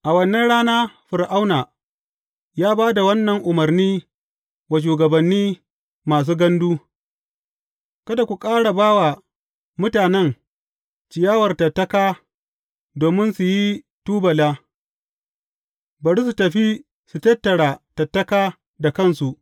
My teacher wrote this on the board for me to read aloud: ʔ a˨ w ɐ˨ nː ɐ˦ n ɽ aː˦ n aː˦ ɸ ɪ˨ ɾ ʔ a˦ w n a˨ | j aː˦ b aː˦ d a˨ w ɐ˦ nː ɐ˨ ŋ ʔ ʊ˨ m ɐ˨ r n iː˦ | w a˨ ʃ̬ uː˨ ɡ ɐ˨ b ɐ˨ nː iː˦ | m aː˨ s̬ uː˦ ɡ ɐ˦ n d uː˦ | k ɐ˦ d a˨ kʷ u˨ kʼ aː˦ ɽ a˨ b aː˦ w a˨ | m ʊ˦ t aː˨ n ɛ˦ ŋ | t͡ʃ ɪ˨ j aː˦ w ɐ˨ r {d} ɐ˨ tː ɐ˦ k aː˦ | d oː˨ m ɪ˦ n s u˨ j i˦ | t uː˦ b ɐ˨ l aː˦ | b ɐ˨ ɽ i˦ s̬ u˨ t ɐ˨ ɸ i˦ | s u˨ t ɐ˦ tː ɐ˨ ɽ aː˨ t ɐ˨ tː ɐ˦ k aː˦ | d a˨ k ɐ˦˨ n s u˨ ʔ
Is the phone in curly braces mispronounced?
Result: yes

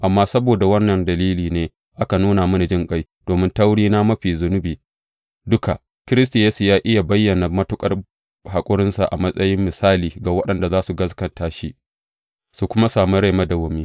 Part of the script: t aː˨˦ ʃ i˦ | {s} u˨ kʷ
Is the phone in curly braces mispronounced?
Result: no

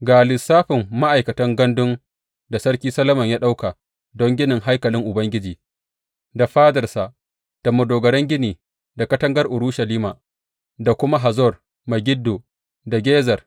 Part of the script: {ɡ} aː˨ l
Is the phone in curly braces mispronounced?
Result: no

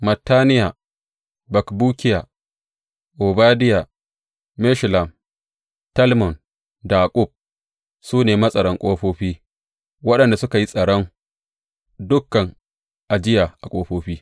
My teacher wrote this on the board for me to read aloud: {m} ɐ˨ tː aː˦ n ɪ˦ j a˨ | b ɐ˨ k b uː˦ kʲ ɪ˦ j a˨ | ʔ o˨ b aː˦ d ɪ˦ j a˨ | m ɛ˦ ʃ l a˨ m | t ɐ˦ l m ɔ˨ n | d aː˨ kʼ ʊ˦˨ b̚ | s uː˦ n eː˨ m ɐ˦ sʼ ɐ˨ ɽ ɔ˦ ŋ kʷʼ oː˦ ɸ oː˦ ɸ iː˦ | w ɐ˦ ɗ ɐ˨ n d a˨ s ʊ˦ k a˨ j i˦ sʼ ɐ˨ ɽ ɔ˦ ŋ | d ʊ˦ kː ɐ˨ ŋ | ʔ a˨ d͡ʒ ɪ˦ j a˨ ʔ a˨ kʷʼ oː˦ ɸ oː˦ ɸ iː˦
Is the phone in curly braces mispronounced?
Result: no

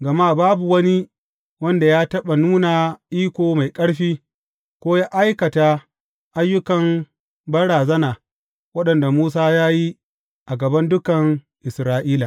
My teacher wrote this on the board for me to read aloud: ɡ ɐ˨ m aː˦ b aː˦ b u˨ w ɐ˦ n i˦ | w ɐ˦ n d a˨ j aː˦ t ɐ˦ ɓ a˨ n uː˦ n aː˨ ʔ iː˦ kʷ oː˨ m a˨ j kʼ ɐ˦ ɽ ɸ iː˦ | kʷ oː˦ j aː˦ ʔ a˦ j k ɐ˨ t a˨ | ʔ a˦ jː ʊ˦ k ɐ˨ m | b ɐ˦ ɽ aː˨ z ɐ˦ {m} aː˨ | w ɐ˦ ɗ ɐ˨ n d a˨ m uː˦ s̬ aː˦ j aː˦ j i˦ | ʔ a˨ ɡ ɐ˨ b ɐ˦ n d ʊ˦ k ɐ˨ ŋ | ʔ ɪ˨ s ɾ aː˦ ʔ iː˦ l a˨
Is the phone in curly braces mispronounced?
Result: yes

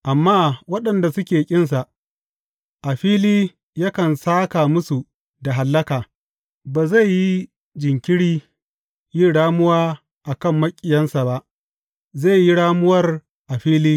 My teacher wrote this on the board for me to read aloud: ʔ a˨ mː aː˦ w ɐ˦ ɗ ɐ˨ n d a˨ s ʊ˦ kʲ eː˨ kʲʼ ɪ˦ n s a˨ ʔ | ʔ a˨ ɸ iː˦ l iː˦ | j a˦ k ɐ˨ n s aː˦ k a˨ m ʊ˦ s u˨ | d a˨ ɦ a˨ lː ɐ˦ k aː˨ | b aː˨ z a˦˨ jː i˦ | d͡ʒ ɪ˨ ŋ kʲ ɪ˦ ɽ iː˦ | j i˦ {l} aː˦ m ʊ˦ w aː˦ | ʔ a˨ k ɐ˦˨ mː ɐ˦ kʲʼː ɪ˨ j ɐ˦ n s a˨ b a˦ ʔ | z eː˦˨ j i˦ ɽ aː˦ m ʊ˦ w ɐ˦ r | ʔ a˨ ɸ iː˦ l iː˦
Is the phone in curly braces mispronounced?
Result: yes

